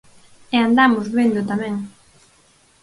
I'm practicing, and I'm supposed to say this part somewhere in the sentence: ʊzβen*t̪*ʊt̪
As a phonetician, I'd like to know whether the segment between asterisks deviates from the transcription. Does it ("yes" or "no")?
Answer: yes